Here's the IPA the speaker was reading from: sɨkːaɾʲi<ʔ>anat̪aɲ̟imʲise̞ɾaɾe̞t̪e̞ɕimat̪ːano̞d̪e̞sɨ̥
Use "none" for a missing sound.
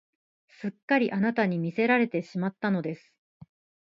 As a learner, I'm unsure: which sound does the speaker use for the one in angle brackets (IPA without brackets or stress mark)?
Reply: ʔ